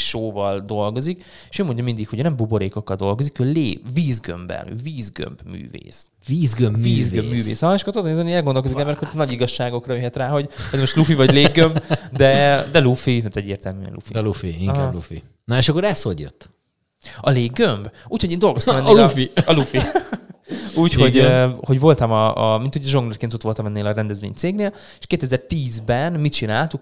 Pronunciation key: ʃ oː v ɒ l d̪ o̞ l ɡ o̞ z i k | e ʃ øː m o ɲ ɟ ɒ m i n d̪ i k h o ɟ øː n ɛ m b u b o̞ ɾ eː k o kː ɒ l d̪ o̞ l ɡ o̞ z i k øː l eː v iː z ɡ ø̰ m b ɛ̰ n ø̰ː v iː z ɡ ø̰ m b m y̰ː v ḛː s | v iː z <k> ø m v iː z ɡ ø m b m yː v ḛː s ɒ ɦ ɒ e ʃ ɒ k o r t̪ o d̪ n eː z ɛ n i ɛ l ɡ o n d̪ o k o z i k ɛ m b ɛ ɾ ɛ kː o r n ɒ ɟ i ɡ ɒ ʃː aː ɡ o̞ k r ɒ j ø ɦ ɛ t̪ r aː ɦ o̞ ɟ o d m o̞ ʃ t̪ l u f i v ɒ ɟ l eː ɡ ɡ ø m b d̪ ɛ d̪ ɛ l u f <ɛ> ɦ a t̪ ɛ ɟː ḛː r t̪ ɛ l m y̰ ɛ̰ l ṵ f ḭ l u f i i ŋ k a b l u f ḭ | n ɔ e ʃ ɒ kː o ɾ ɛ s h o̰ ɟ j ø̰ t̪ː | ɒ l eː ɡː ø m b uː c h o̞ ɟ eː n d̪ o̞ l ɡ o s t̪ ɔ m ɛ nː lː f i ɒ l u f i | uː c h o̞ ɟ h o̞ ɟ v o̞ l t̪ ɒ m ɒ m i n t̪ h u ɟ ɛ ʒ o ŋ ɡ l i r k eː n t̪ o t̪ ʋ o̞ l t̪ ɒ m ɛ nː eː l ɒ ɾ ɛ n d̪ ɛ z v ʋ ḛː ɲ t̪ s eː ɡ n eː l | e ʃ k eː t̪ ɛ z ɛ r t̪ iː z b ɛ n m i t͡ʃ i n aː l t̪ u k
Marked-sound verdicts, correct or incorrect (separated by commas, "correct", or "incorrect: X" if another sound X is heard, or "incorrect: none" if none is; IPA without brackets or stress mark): incorrect: ɡ, incorrect: i